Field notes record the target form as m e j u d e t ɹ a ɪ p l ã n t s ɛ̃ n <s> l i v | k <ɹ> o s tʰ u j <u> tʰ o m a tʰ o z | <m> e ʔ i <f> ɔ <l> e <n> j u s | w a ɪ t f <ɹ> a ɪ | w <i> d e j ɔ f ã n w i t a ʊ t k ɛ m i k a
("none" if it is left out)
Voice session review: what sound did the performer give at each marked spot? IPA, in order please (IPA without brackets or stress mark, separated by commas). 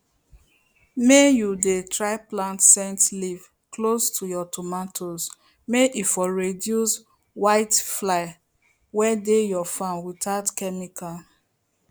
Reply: t, l, ɔ, m, f, ɹ, d, l, ɛ